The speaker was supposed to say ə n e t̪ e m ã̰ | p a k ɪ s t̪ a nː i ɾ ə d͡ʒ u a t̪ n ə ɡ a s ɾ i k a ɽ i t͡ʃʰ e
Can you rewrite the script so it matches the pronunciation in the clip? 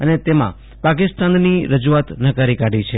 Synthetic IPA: ə n e t̪ e m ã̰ | p a k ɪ s t̪ a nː i ɾ ə d͡ʒ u a t̪ n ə k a ɾ i k a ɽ i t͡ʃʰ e